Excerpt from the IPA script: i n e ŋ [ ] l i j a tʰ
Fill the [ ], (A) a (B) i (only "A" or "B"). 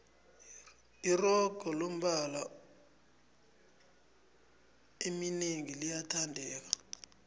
B